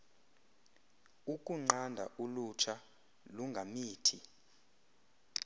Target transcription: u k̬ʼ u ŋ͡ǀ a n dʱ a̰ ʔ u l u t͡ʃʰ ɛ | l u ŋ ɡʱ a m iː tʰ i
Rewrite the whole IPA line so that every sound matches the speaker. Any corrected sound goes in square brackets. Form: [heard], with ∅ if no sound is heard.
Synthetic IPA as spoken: u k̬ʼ u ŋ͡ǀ a n dʱ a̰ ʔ u l u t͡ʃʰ [a] | l u ŋ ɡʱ a m iː tʰ i